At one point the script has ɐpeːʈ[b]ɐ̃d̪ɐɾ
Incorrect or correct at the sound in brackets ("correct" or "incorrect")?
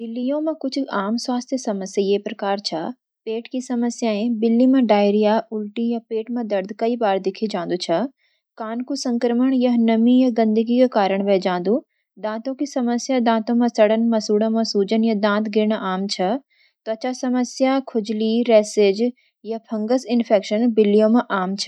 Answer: incorrect